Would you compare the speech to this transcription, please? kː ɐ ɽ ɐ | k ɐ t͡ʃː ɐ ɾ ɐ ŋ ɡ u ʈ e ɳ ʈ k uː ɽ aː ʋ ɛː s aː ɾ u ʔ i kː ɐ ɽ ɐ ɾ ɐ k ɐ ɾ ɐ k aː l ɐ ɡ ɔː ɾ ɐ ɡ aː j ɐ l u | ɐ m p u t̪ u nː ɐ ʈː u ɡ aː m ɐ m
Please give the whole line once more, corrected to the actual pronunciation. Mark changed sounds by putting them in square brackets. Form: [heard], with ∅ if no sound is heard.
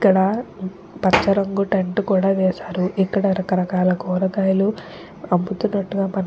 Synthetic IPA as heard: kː ɐ ɽ ɐ | [p] ɐ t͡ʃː ɐ ɾ ɐ ŋ ɡ u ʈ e ɳ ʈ k uː ɽ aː ʋ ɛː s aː ɾ u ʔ i kː ɐ ɽ ɐ ɾ ɐ k ɐ ɾ ɐ k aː l ɐ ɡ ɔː ɾ ɐ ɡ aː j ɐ l u | ɐ m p u t̪ u nː ɐ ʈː u ɡ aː m ɐ [n]